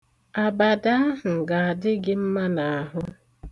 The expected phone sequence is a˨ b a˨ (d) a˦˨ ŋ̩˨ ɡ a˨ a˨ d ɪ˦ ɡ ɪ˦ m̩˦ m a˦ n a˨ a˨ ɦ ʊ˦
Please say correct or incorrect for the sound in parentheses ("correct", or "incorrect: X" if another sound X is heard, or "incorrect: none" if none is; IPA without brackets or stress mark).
correct